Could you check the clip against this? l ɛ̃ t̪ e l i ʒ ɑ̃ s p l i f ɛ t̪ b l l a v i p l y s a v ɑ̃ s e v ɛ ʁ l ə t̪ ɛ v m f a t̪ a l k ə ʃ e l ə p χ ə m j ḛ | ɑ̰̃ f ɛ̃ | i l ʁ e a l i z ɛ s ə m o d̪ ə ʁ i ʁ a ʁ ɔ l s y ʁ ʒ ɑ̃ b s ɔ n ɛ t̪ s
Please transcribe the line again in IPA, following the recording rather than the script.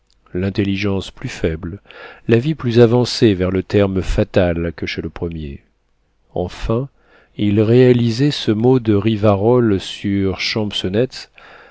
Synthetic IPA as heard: l ɛ̃ t̪ e l i ʒ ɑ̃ s p l y f ɛ b l l a v i p l y z a v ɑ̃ s e v ɛ ʁ l ə t̪ ɛ ʁ m f a t̪ a l k ə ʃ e l ə p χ ə m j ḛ | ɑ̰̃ f ɛ̃ | i l ʁ e a l i z ɛ s ə m o d̪ ə ʁ i v a ʁ ɔ l s y ʁ ʃ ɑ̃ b s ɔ n ɛ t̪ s